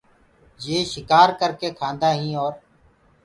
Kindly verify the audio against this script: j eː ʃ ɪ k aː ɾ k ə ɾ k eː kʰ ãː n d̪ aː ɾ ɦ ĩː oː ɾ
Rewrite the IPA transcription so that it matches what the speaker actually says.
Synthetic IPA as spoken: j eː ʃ ɪ k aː ɾ k ə ɾ k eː kʰ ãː n d̪ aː ɦ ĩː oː ɾ